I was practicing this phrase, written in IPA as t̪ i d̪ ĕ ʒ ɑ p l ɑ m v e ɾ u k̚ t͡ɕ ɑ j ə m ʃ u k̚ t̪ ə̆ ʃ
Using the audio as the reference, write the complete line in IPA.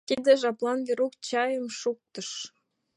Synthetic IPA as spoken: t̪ i d̪ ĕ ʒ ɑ p l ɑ n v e ɾ u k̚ t͡ɕ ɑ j ə m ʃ u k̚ t̪ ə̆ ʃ

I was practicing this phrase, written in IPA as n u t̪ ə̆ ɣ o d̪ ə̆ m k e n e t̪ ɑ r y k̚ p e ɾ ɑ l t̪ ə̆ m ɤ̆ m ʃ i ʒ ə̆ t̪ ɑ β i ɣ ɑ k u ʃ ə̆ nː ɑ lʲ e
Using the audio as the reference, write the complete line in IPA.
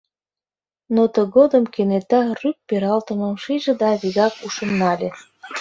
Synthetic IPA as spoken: n o t̪ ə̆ ɣ o d̪ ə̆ m k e n e t̪ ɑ r y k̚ p e ɾ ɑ l t̪ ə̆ m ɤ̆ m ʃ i ʒ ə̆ d̪ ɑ β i ɣ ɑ k u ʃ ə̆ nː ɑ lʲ e

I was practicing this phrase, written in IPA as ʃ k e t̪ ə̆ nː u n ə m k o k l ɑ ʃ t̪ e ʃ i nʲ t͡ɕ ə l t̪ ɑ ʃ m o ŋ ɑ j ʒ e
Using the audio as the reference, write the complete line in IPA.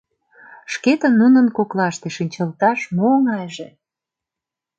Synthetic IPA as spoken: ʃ k e t̪ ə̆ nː u n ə n k o k l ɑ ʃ t̪ e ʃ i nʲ t͡ɕ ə l t̪ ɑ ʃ m o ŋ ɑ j ʒ e

